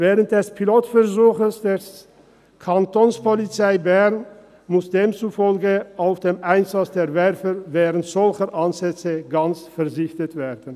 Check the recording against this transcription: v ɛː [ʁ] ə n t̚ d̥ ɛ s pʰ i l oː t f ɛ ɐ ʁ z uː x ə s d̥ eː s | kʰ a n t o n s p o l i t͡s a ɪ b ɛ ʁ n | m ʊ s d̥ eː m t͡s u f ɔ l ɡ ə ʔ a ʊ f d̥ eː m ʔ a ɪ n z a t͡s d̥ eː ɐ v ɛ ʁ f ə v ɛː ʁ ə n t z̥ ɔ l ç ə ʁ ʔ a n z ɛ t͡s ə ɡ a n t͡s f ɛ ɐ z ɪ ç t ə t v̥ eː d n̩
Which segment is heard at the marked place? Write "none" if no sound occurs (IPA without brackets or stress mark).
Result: ʁ